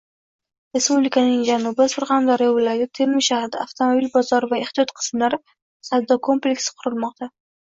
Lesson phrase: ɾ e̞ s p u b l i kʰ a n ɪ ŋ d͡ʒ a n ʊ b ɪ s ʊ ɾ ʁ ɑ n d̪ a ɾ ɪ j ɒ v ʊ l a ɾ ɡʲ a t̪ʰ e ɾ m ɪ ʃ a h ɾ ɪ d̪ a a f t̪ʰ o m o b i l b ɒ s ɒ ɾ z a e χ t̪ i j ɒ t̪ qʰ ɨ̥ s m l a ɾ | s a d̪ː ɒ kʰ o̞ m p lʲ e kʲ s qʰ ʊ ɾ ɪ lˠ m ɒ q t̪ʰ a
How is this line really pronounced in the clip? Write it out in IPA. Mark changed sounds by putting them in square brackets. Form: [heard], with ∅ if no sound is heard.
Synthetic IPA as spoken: ɾ e̞ s p u b l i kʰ a n ɪ ŋ d͡ʒ a n ʊ b ɪ s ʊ ɾ ʁ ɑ n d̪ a ɾ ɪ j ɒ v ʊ l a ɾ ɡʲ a t̪ʰ e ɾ m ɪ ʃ a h ɾ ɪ d̪ a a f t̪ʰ o m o b i l b ɒ [z] ɒ ɾ [v] a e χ t̪ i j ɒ t̪ qʰ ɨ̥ s m l a ɾ | s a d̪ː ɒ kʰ o̞ m p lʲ e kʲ s qʰ ʊ ɾ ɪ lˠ m ɒ q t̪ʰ a